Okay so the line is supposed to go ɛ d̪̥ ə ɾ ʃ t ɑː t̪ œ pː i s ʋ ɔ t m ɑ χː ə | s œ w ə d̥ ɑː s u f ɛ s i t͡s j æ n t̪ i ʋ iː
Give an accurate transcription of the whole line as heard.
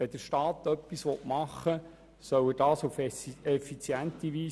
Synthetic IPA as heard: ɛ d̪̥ ə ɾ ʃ t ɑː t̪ œ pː i s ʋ ɔ t m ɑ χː ə | s œ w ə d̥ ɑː s u f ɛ f i t͡s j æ n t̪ i ʋ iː